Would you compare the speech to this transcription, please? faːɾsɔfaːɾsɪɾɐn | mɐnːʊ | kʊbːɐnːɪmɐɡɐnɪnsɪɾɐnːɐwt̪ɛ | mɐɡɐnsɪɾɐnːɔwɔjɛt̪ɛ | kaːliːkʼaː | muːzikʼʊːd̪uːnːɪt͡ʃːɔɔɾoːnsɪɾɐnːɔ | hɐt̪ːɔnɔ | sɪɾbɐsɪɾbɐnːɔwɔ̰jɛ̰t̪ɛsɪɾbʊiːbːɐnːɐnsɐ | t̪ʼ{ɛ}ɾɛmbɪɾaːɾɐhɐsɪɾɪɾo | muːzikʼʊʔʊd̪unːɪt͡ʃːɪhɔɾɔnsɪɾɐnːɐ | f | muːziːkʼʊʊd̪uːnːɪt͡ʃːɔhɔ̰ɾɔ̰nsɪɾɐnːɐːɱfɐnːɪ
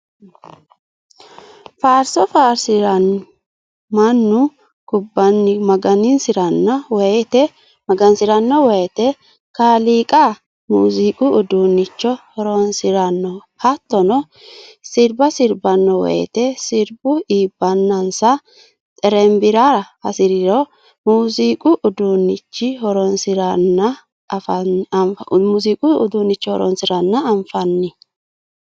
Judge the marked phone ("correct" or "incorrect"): correct